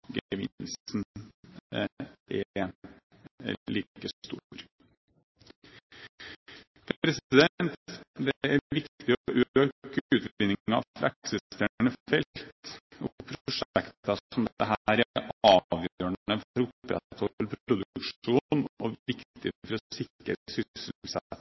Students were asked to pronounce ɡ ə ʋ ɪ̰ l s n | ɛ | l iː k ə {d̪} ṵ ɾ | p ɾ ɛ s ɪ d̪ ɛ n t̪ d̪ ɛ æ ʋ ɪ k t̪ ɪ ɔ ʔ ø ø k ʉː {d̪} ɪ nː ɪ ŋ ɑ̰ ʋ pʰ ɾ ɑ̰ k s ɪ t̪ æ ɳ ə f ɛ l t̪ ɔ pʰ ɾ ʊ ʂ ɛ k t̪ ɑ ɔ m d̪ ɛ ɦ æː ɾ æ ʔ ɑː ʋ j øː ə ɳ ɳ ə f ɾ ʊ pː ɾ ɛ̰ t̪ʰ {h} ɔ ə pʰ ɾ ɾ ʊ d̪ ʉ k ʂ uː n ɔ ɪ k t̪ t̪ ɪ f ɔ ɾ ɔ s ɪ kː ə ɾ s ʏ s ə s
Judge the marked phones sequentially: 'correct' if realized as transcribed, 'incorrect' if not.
incorrect: t̪, incorrect: t̪, correct

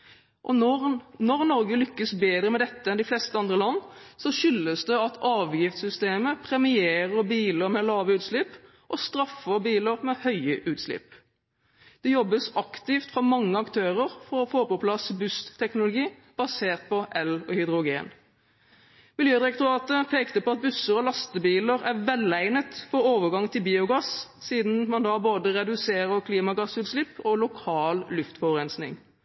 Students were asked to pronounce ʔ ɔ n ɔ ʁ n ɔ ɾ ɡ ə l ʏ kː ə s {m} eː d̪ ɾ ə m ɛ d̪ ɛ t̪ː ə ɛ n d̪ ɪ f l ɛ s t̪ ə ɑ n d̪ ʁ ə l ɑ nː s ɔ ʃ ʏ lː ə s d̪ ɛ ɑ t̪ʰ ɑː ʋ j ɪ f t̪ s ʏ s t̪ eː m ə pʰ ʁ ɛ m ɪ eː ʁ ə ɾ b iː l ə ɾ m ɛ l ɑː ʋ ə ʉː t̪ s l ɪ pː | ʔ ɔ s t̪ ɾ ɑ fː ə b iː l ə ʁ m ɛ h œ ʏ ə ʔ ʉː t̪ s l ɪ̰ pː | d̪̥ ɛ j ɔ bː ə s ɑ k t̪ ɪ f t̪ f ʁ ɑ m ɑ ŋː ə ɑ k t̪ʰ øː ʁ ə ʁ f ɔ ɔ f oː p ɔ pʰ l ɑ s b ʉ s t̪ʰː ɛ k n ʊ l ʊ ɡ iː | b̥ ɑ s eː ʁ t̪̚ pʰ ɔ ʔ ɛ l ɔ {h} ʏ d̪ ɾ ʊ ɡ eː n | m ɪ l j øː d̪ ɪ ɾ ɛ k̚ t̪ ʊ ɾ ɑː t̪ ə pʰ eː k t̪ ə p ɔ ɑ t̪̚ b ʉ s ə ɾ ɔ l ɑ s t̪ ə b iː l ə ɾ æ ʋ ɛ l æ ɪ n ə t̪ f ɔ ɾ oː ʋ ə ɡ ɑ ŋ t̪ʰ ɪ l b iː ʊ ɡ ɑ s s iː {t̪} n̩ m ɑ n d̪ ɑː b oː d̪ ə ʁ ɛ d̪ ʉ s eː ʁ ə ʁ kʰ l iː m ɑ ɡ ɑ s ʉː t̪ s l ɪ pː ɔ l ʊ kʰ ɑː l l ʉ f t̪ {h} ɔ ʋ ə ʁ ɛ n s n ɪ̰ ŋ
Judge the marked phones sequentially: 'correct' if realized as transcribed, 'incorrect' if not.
incorrect: b, correct, incorrect: d̪, incorrect: f

